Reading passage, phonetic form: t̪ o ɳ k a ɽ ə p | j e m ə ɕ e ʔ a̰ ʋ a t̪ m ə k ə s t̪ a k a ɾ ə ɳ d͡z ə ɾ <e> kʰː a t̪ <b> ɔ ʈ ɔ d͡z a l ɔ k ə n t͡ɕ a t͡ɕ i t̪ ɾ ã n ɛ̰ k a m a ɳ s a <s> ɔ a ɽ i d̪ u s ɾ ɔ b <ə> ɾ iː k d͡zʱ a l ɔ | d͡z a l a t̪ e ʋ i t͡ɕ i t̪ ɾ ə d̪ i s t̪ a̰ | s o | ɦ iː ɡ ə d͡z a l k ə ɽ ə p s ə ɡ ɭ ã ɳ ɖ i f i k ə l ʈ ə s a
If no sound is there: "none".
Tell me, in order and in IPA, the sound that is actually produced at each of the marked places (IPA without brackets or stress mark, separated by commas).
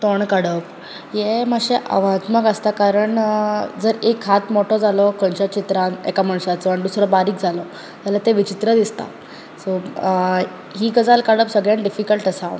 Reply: e, m, t͡s, a